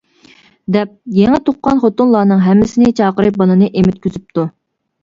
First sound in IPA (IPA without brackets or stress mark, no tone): d̪